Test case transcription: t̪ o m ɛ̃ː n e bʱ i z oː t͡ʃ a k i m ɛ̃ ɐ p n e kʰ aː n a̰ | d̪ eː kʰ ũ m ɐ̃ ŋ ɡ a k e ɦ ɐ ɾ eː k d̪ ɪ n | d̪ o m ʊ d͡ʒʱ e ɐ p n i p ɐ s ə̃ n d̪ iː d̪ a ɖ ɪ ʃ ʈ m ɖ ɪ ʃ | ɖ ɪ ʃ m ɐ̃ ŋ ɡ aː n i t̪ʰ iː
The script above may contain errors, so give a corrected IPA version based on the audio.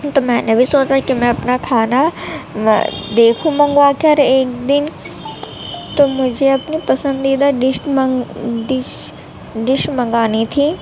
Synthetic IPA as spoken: t̪ o m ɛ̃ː n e bʱ i s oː t͡ʃ a k i m ɛ̃ ɐ p n a kʰ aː n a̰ | d̪ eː kʰ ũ m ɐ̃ ŋ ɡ a k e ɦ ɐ ɾ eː k d̪ ɪ n | t̪ o m ʊ d͡ʒʱ e ɐ p n i p ɐ s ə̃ n d̪ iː d̪ a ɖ ɪ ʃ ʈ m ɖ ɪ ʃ | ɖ ɪ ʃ m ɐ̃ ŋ ɡ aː n i t̪ʰ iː

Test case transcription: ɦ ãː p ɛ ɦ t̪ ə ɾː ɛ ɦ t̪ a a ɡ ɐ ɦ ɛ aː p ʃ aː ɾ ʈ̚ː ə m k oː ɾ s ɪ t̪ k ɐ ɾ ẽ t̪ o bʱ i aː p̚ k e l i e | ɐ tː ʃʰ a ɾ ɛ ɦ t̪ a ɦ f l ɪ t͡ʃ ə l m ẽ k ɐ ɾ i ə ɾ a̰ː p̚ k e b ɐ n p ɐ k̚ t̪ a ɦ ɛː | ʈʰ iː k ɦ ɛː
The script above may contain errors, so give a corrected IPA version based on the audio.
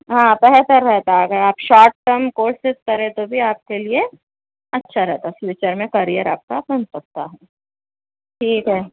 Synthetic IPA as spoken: ɦ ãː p ɛ ɦ t̪ ə ɾː ɛ ɦ t̪ a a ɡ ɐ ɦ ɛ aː p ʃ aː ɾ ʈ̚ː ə m k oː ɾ s ɪ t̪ k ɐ ɾ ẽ t̪ o bʱ i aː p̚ k e l i e | ɐ tː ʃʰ a ɾ ɛ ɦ t̪ a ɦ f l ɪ t͡ʃ ə ɾ m ẽ k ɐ ɾ i ə ɾ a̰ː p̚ k a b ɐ n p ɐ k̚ t̪ a ɦ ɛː | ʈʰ iː k ɦ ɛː

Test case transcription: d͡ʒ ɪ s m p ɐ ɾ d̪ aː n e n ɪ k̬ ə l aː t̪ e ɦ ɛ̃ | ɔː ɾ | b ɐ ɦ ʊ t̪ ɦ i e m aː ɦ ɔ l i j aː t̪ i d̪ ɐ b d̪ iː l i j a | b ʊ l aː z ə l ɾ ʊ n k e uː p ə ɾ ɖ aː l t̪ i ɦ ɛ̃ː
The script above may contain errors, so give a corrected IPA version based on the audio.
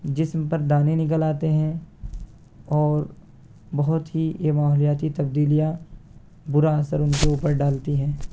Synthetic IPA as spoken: d͡ʒ ɪ s m p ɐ ɾ d̪ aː n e n ɪ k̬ ə l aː t̪ e ɦ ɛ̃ | ɔː ɾ | b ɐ ɦ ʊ t̪ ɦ i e m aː ɦ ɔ l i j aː t̪ i t̪ ɐ b d̪ iː l i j a | b ʊ ɾ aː s ə ɾ ʊ n k e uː p ə ɾ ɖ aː l t̪ i ɦ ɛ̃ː

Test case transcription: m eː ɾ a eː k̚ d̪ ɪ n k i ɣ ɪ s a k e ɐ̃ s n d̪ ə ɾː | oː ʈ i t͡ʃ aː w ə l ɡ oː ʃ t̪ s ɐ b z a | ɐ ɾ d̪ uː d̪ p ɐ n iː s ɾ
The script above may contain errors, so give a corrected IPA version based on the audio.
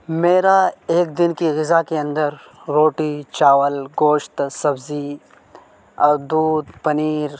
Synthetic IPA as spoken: m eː ɾ a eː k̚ d̪ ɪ n k i ɣ ɪ z a k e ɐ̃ n d̪ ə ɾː | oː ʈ i t͡ʃ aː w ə l ɡ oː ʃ t̪ s ɐ b z i | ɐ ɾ d̪ uː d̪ p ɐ n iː ɾ

